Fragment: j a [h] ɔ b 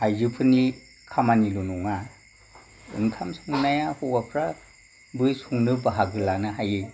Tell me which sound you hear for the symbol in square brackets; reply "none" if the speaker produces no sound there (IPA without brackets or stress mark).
h